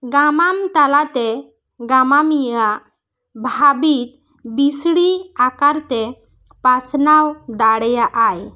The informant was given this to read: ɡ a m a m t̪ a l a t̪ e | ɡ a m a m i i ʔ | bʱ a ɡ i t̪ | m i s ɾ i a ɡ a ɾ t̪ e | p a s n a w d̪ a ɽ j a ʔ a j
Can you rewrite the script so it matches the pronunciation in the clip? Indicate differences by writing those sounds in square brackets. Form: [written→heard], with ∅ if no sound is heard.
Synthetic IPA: ɡ a m a m t̪ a l a t̪ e | ɡ a m a m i [i→a] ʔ | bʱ a [ɡ→b] i t̪ | [m→b] i s [ɾ→ɽ] i a [ɡ→k] a ɾ t̪ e | p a s n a w d̪ a ɽ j a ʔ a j